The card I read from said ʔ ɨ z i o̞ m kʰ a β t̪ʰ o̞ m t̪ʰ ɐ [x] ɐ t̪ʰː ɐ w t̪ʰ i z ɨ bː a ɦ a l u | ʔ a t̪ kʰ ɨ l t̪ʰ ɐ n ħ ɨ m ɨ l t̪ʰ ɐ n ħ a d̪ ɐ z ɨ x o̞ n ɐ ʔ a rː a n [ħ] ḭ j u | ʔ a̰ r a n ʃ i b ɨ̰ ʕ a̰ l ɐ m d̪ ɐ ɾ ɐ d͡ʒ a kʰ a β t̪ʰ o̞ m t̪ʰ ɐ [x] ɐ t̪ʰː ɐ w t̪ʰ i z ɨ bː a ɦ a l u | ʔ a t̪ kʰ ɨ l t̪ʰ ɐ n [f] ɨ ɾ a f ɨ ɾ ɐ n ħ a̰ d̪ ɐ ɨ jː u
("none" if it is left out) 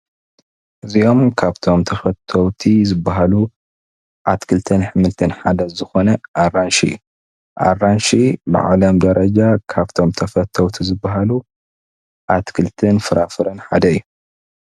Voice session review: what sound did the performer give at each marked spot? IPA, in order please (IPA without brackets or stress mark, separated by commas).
f, ʃ, f, f